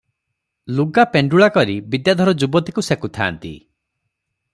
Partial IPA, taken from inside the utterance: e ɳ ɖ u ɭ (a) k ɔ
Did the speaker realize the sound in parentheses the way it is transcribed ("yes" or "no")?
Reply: yes